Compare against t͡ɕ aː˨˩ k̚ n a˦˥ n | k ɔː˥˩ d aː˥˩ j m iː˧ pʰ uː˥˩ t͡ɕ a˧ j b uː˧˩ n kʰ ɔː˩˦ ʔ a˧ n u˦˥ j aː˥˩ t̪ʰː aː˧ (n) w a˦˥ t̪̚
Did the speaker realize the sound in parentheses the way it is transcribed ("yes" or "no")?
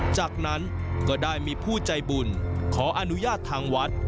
no